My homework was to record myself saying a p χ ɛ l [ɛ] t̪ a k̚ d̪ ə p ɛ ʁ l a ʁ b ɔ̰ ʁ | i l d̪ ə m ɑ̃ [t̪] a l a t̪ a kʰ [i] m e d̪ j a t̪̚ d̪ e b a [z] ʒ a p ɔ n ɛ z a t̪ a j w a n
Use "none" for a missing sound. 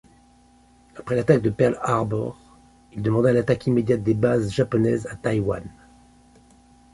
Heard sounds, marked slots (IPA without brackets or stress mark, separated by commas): a, d̪, i, z